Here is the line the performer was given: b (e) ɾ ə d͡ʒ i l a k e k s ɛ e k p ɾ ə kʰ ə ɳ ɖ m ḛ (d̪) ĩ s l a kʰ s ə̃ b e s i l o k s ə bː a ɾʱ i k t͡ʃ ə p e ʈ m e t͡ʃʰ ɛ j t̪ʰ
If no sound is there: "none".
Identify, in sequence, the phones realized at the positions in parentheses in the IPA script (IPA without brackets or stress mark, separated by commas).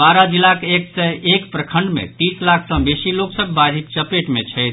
a, t̪